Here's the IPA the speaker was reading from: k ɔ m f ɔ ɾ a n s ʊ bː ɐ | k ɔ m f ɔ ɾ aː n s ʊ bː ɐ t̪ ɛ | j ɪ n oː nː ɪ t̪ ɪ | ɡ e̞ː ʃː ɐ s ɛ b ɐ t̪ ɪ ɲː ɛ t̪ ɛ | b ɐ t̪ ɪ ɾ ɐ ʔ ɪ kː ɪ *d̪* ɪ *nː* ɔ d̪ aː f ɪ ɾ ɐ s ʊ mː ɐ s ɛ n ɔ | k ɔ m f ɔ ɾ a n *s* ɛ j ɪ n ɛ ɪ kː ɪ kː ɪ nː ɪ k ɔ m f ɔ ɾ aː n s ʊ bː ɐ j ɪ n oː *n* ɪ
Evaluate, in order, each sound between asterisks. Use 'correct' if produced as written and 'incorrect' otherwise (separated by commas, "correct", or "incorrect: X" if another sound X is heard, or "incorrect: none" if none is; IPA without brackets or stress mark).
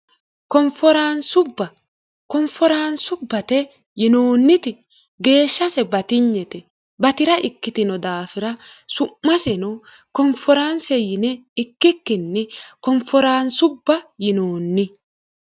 incorrect: t̪, incorrect: n, correct, incorrect: nː